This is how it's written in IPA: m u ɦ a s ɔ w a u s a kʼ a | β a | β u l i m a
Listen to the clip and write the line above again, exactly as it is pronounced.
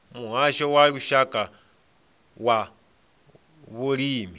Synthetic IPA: m u ɦ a ʃ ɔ w a u ʃ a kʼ a | w a | β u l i m i